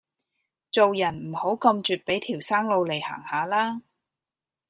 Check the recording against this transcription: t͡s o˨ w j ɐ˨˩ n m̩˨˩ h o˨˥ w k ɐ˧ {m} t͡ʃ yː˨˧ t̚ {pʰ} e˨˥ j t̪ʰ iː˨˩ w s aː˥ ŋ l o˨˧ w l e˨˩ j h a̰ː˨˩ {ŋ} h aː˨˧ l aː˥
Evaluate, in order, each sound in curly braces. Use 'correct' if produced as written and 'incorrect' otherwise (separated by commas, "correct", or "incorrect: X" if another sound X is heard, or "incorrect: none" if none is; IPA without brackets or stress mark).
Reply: correct, incorrect: p, correct